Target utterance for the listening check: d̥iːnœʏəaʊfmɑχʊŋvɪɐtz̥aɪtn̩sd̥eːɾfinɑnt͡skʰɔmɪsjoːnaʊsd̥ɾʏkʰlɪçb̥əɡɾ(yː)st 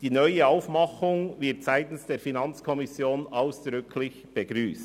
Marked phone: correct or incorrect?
correct